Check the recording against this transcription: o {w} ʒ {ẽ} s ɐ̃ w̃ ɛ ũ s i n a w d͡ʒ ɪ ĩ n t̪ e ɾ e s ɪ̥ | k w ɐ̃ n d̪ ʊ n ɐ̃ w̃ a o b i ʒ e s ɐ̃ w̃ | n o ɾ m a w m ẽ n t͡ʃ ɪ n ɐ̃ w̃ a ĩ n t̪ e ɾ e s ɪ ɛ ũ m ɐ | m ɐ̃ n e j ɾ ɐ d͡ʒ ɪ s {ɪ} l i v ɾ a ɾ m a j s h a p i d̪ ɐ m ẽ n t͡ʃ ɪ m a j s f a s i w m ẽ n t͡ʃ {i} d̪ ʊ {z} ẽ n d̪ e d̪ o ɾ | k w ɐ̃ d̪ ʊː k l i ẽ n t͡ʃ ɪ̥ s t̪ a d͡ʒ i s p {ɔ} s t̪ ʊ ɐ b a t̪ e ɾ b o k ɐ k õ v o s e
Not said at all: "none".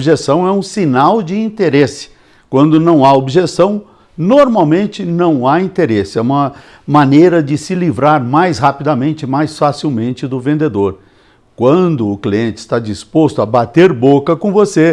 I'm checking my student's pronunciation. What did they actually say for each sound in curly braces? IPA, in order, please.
b, e, ɪ, ɪ, v, o

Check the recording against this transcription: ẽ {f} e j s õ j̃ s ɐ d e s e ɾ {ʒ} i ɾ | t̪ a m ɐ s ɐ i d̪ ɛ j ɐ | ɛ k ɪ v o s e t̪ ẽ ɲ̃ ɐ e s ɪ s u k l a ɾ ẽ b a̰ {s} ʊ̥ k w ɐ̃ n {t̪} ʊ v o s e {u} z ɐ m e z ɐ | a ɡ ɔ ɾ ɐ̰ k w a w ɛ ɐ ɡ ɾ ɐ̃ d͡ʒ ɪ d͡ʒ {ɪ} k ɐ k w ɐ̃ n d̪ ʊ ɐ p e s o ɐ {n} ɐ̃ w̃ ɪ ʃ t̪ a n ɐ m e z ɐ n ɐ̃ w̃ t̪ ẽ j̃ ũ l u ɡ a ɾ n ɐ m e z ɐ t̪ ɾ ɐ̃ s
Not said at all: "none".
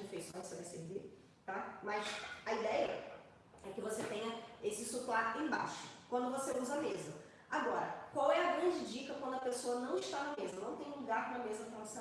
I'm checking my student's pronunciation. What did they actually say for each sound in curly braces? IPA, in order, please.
f, v, ʃ, d̪, u, i, n

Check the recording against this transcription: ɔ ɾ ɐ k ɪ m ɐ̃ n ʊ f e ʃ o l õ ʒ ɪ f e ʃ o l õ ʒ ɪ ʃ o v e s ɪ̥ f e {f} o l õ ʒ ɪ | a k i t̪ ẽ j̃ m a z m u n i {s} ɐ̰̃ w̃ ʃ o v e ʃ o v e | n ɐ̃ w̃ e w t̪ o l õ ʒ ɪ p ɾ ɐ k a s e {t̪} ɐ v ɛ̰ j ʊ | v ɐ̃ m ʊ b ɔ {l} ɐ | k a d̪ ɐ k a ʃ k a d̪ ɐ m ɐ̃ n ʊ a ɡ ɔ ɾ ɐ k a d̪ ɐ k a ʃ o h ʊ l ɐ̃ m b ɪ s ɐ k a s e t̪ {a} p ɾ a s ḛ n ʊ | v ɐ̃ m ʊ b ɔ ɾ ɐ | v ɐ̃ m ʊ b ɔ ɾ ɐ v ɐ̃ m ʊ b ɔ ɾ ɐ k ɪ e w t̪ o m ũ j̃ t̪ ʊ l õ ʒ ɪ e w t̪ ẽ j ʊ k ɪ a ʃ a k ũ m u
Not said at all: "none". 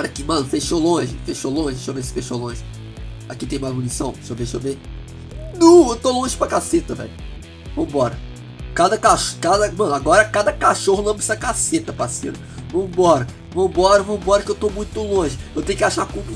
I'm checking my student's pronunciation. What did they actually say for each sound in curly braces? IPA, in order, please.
ʃ, s, t̪, ɾ, ɐ

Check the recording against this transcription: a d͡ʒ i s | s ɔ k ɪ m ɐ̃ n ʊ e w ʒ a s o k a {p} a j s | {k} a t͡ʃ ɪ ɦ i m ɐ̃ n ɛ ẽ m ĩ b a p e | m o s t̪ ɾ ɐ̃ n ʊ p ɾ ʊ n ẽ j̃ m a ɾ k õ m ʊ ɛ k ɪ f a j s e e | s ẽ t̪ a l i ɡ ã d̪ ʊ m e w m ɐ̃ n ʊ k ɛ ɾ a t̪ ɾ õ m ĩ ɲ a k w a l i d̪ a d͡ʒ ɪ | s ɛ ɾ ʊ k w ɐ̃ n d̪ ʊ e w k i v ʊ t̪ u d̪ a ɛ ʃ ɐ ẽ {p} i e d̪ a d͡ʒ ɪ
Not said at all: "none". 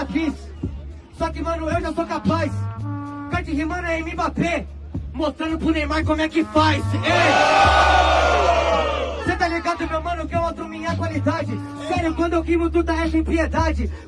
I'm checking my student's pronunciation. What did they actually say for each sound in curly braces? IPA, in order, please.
p, k, p

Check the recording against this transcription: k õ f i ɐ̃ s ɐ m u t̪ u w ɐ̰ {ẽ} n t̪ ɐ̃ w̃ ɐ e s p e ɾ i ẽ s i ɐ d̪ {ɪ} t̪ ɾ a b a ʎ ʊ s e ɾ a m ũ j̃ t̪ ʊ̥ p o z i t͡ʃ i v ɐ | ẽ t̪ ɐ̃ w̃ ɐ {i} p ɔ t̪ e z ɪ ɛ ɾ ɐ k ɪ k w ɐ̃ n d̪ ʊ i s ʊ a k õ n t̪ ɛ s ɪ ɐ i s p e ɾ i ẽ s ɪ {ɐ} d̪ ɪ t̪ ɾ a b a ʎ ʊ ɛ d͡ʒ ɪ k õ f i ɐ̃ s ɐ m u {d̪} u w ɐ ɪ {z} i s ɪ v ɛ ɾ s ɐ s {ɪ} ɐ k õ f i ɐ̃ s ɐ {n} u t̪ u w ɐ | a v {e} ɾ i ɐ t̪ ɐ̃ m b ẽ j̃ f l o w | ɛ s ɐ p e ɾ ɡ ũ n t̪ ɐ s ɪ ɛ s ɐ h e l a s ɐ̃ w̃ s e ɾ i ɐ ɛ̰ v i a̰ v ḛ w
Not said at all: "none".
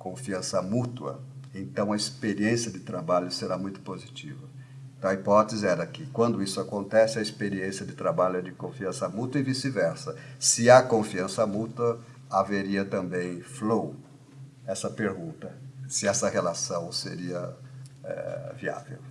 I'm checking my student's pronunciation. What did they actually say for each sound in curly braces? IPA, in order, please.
ẽ, ɪ, i, ɐ, t̪, v, ɪ, m, e

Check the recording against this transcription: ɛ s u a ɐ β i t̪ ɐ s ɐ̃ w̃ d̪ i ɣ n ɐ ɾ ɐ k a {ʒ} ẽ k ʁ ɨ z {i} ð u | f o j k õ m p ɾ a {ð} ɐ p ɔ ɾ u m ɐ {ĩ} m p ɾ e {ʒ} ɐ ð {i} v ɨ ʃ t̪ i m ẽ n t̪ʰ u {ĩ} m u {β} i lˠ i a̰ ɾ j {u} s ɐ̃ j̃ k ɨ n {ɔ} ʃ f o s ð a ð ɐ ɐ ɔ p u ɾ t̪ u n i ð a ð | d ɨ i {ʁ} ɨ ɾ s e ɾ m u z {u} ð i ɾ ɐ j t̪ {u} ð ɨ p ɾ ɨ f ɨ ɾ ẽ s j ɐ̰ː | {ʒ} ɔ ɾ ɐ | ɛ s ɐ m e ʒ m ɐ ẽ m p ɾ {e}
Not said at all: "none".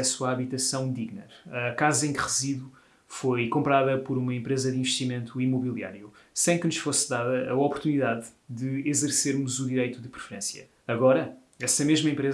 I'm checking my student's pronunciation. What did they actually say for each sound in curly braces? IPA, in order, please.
z, i, ð, ẽ, z, ĩ, i, β, u, u, z, u, u, ɣ, e

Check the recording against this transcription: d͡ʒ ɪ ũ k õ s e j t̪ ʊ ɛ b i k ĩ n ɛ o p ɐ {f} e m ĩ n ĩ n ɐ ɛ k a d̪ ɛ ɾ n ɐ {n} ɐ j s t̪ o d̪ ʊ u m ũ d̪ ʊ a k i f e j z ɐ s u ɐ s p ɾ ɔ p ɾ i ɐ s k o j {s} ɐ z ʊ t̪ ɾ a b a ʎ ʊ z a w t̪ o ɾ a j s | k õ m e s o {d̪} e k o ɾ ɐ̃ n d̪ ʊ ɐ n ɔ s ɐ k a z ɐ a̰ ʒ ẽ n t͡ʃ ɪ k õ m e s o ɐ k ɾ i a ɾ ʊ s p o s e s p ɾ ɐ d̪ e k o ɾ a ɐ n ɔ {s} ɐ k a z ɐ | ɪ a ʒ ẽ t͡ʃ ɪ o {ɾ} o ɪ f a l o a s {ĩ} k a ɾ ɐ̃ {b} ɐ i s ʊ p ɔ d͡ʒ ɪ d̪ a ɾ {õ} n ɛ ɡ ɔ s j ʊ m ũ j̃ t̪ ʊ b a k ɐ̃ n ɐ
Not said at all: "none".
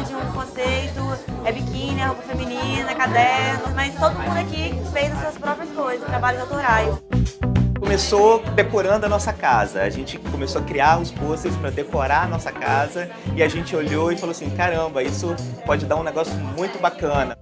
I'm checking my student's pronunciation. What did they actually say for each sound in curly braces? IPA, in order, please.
f, m, z, d̪, s, ʎ, ĩ, b, ũ

